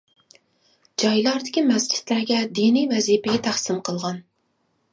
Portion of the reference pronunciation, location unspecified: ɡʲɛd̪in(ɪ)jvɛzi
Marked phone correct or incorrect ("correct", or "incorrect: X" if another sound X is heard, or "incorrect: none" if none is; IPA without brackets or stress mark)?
incorrect: i